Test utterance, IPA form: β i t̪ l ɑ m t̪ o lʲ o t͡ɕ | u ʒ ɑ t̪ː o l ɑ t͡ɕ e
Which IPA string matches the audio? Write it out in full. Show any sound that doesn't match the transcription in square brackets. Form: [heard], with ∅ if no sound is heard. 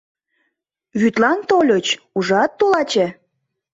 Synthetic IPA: β [y] t̪ l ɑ [n] t̪ o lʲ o t͡ɕ | u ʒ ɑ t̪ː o l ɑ t͡ɕ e